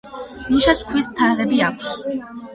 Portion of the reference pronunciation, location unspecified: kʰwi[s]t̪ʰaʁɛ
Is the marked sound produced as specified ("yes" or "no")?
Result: yes